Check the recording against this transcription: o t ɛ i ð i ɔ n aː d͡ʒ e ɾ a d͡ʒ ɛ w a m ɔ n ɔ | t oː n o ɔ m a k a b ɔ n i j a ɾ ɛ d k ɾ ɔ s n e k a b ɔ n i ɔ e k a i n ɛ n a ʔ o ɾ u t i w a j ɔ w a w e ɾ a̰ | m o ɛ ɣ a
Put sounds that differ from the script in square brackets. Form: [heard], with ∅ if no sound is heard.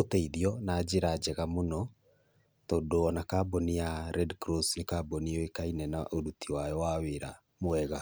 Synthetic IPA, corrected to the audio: o t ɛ i ð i ɔ n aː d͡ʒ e ɾ a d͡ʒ ɛ [ɣ] a m [o] n ɔ | t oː [d] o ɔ [n] a k a b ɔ n i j a ɾ ɛ d k ɾ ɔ s n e k a b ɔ n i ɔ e k a i n ɛ n a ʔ o ɾ u t i w a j ɔ w a w e ɾ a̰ | m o ɛ ɣ a